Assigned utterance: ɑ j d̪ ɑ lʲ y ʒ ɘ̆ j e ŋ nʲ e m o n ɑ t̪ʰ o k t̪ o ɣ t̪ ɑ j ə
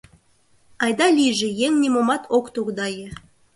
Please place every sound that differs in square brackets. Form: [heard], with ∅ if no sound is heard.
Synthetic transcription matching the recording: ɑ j d̪ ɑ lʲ [i] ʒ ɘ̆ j e ŋ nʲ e m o [m] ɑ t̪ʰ o k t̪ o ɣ [d̪] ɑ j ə